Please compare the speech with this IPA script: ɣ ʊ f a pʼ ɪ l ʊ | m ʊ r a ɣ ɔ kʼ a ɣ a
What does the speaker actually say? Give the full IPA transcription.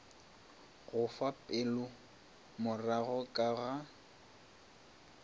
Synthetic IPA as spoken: ɣ ʊ f a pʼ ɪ l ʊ | m ʊ r a ɣ ɔ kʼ a ɣ a